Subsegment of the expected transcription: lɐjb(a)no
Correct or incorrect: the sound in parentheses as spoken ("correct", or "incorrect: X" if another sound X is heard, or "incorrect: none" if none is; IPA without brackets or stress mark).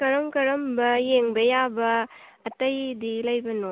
incorrect: ɐ